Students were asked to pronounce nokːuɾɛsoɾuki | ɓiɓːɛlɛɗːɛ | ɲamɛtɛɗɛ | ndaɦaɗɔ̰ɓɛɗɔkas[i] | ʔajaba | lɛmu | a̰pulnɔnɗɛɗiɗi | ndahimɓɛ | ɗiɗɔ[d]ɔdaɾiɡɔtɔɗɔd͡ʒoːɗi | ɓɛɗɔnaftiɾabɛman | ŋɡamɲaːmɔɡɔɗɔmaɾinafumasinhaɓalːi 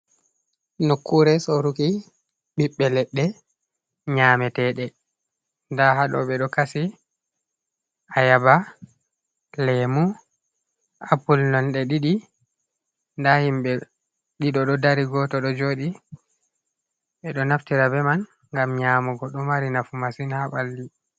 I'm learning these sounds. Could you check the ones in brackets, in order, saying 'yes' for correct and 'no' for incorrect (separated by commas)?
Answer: yes, no